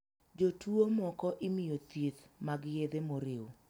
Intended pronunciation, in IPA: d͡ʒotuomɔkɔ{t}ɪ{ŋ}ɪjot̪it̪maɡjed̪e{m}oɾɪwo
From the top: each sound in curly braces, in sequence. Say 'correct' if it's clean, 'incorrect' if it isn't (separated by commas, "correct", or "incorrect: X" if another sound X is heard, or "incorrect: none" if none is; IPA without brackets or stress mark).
incorrect: ʔ, incorrect: m, correct